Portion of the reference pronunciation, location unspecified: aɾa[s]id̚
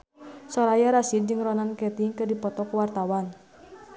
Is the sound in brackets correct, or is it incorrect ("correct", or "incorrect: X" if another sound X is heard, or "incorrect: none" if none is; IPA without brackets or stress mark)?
correct